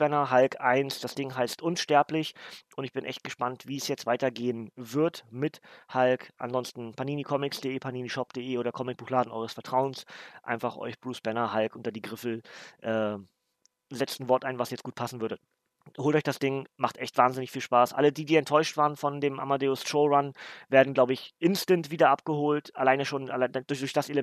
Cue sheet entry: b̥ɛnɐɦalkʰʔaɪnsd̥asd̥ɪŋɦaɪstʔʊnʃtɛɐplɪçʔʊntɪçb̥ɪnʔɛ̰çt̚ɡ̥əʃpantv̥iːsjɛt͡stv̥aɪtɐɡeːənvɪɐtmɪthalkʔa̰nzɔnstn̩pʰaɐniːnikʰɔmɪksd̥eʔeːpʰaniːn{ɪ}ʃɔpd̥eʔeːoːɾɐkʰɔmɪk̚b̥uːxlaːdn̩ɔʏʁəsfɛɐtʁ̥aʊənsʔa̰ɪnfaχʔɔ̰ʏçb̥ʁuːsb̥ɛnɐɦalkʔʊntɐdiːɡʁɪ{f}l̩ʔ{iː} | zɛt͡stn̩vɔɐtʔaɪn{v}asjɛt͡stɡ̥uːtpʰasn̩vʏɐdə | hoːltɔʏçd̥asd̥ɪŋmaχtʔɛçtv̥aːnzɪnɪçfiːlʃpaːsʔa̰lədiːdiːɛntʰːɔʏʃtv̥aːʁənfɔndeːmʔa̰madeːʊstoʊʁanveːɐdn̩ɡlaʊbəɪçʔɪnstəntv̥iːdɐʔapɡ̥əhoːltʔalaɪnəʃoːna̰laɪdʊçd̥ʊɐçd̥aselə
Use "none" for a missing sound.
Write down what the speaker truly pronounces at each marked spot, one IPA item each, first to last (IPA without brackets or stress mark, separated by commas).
i, f, ɛː, v